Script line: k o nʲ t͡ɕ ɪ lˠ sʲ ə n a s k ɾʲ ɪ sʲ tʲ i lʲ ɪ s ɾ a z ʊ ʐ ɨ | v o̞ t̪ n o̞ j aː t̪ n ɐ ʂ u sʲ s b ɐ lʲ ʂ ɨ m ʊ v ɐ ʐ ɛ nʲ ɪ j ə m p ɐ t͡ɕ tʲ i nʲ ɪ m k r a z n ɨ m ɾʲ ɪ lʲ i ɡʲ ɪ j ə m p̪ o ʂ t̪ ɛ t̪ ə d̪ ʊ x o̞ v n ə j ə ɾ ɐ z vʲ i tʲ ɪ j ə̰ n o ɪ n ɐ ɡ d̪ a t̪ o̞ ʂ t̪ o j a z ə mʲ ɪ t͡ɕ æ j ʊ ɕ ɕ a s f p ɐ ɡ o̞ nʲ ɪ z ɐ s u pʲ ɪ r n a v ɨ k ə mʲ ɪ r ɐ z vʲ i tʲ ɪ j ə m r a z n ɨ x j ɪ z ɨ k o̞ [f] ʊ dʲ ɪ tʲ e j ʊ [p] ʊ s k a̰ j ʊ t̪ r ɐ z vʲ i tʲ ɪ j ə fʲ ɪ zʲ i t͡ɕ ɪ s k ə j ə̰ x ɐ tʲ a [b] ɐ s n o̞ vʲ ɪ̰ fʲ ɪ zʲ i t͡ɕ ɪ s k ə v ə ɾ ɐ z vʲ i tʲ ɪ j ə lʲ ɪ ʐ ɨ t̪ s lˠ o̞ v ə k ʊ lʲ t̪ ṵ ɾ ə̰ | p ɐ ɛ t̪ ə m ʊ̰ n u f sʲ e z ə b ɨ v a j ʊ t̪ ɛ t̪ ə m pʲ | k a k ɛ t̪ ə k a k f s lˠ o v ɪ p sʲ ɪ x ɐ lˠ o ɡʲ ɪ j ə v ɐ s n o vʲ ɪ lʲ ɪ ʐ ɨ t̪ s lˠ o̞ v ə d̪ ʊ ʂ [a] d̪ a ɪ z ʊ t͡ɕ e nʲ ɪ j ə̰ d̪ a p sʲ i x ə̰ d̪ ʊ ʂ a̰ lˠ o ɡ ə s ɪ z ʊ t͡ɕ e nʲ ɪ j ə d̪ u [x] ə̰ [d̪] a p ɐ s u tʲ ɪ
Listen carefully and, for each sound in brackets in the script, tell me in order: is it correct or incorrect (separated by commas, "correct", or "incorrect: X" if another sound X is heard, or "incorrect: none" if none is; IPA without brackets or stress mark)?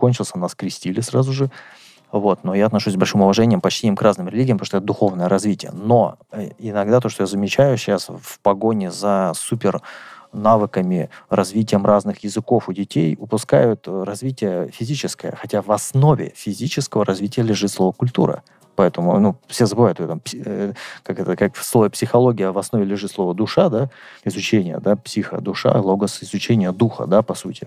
correct, correct, incorrect: v, correct, correct, correct